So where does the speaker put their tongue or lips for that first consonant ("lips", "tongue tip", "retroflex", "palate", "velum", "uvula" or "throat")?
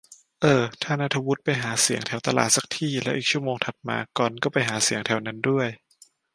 throat